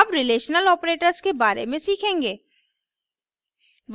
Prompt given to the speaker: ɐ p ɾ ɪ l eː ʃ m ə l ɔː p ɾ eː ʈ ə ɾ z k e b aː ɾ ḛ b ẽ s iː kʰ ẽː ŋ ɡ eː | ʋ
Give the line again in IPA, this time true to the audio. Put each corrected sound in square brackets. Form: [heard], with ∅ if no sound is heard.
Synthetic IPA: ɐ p ɾ ɪ l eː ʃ [n] ə l ɔː p ɾ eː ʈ ə ɾ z k e b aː ɾ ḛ [m] ẽ s iː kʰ ẽː ŋ ɡ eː | ʋ